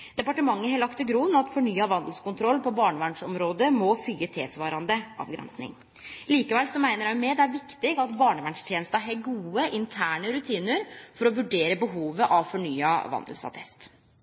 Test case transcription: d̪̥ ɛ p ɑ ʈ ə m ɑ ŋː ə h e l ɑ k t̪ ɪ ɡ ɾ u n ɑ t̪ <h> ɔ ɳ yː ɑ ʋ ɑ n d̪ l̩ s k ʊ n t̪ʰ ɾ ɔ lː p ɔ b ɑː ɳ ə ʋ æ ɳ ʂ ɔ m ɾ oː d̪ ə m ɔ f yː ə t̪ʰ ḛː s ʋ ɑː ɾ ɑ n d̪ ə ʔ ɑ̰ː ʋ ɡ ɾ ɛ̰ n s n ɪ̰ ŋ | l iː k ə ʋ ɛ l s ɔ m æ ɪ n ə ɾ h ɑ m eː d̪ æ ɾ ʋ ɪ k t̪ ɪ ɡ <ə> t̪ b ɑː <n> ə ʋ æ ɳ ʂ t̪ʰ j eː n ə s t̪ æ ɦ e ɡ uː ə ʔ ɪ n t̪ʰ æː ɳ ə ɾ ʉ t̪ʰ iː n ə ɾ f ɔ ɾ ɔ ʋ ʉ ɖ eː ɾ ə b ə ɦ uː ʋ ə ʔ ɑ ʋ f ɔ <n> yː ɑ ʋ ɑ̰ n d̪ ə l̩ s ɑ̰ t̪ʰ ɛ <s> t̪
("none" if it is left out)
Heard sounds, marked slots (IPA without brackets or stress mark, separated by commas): f, ɑ, ɳ, ɳ, s